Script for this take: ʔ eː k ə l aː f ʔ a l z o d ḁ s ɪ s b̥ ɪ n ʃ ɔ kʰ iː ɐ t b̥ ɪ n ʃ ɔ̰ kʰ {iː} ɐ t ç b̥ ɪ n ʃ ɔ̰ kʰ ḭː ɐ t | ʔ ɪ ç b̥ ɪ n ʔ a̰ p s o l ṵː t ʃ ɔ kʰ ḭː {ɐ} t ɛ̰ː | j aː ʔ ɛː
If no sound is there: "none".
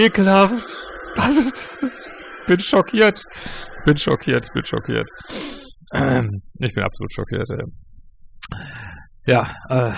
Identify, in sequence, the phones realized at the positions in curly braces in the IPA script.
iː, ɐ

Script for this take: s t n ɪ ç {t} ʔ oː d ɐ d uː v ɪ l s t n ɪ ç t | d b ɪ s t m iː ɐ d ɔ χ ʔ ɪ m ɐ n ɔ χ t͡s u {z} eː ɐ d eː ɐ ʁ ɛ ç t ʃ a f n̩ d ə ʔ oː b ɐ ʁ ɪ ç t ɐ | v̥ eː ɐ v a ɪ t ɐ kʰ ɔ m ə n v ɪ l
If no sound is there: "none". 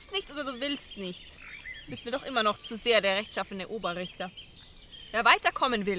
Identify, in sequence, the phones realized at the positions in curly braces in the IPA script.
t, z

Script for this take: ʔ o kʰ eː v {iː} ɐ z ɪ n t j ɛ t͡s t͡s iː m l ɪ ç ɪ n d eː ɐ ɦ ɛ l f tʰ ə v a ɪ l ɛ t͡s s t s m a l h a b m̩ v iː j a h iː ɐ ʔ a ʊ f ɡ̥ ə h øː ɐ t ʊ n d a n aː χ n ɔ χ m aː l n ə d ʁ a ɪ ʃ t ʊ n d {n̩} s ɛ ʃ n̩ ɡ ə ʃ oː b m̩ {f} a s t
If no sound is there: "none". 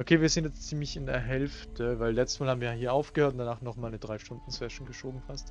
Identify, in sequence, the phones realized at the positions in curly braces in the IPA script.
iː, n̩, f

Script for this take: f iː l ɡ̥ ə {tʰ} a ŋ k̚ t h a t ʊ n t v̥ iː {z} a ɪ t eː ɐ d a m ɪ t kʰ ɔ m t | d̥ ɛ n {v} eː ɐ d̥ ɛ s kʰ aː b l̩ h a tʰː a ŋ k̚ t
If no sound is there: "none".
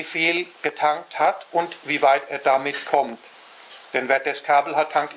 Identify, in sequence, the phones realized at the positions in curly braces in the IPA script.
tʰ, v, v

